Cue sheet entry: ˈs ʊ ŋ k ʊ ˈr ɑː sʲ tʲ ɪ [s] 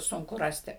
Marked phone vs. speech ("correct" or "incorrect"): incorrect